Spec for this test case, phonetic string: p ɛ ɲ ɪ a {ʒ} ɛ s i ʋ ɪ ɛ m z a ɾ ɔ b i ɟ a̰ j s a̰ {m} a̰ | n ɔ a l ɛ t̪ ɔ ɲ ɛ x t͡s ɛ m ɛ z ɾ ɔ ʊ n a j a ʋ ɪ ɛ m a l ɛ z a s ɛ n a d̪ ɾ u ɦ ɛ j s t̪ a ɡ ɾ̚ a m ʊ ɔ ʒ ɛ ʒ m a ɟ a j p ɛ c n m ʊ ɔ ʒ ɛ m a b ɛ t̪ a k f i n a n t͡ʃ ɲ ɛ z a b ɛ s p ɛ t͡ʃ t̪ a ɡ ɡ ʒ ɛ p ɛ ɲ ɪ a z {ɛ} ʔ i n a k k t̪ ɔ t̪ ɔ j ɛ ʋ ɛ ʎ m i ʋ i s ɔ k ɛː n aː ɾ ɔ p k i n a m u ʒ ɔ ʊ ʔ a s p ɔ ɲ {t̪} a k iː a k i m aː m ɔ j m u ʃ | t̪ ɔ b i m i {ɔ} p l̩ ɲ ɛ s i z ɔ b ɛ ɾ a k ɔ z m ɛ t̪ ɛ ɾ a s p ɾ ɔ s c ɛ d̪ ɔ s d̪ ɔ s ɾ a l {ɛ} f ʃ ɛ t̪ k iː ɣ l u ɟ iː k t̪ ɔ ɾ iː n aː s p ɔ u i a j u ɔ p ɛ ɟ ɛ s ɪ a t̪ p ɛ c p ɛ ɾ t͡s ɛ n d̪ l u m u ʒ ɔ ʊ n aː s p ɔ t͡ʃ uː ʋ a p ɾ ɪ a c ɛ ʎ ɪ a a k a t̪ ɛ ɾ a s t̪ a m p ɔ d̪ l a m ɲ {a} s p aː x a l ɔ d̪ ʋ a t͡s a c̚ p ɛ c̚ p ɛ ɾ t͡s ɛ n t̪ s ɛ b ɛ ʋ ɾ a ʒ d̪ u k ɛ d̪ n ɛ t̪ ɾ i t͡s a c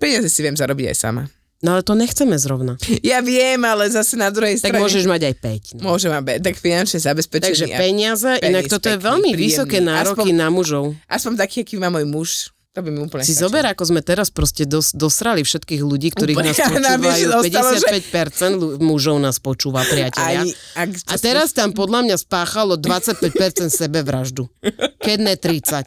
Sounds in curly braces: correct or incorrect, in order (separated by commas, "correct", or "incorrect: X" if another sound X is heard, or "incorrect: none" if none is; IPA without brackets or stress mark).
incorrect: z, correct, correct, correct, incorrect: u, incorrect: i, correct